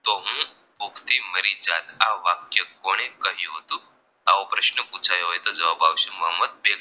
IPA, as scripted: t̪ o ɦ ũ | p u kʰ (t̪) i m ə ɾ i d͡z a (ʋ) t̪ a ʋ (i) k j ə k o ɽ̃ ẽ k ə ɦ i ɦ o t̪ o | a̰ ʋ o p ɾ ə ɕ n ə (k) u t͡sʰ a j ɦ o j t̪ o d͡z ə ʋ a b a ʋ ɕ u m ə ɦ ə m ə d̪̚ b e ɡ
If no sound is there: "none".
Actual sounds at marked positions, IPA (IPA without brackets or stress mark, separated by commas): t̪, none, a, p